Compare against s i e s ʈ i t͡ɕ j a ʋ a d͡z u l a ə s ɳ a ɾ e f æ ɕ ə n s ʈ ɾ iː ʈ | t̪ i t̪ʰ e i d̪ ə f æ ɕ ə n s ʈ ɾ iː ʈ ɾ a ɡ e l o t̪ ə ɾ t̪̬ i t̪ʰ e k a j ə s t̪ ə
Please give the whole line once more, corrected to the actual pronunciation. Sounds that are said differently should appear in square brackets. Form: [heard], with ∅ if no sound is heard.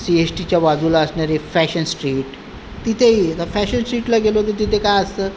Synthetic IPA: s i e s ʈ i t͡ɕ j a ʋ a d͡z u l a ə s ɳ a ɾ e f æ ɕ ə n s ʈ ɾ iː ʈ | t̪ i t̪ʰ e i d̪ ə f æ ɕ ə n s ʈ ɾ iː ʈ [l] a ɡ e l o t̪ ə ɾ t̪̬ i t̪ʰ e k a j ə s t̪ ə